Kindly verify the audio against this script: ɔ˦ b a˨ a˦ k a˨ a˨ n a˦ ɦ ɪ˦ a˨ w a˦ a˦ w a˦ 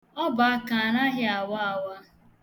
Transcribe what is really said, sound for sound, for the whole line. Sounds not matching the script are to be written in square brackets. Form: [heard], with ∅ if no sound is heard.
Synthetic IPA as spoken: ɔ˦ b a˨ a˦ k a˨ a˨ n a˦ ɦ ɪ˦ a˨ w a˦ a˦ w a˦